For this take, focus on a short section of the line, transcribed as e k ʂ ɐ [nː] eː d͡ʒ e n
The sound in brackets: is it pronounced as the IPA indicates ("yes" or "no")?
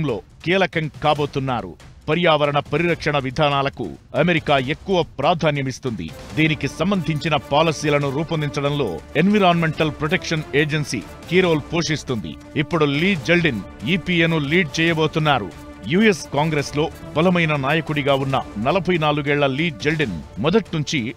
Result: no